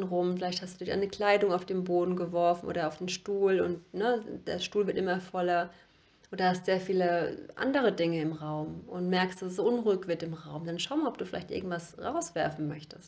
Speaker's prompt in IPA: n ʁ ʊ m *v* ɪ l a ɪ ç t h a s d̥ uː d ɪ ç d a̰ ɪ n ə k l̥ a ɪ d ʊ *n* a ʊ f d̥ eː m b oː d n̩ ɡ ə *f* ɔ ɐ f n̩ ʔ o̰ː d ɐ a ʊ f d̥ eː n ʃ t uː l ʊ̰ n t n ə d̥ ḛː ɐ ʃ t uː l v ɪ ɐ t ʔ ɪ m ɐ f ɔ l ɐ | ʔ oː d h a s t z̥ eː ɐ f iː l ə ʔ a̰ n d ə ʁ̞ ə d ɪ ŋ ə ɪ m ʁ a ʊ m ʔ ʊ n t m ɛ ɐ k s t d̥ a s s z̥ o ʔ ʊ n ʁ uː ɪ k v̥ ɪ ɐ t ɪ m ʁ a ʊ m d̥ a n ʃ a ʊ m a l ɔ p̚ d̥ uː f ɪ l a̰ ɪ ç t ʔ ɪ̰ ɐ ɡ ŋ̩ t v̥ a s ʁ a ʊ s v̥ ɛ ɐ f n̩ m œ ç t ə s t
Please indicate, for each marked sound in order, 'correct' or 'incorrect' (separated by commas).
incorrect, incorrect, incorrect